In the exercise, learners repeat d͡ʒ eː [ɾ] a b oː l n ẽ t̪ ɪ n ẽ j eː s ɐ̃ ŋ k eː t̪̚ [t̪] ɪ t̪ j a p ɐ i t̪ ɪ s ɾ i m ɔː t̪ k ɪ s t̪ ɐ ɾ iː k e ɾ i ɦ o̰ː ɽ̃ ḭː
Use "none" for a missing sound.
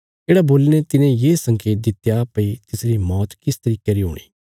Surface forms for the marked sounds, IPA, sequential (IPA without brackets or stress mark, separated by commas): ɽ, d̪